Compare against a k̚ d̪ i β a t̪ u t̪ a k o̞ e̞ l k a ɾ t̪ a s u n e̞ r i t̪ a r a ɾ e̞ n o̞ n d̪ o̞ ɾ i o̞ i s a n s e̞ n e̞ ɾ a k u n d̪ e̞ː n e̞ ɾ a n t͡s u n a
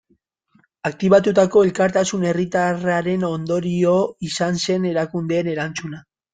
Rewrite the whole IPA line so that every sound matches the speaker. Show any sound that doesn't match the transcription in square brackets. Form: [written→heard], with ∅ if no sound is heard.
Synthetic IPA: a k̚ [d̪→t̪] i β a t̪ u t̪ a k o̞ e̞ l k a ɾ t̪ a s u n e̞ r i t̪ a r a ɾ e̞ n o̞ n d̪ o̞ ɾ i o̞ i s a n s e̞ n e̞ ɾ a k u n d̪ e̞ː n e̞ ɾ a n t͡s u n a

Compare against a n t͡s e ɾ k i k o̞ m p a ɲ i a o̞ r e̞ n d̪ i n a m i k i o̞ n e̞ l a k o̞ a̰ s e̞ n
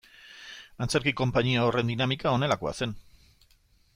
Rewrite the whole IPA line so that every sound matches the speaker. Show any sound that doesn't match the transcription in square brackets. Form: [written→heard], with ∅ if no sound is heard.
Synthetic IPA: a n t͡s e ɾ k i k o̞ m p a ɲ i a o̞ r e̞ n d̪ i n a m i k [i→a] o̞ n e̞ l a k o̞ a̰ s e̞ n

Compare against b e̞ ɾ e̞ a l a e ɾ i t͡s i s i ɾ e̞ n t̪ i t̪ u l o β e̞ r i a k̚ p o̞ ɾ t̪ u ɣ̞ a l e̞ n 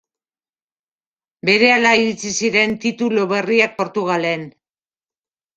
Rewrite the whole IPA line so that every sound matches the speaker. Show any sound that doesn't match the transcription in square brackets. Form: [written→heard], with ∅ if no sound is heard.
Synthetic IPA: b e̞ ɾ e̞ a l a [e→i] ɾ i t͡s i s i ɾ e̞ n t̪ i t̪ u l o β e̞ r i a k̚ p o̞ ɾ t̪ u ɣ̞ a l e̞ n

